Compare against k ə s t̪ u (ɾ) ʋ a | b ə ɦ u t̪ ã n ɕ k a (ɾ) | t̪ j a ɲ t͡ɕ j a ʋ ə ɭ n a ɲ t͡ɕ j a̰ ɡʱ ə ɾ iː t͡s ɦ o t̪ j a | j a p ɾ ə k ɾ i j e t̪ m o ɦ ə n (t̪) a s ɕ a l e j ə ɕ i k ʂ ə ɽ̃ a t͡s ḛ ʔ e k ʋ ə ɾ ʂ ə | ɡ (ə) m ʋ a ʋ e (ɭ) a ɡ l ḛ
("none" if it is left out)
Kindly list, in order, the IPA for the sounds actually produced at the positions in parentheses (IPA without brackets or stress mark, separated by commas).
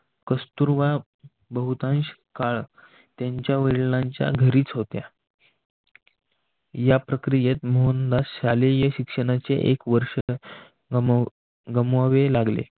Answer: ɾ, ɭ, d̪, ə, l